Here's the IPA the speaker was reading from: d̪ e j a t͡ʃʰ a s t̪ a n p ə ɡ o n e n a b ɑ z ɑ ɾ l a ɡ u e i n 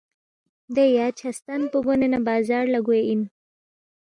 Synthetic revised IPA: d̪ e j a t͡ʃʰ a s t̪ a n p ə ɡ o n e n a b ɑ z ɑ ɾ l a ɡ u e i n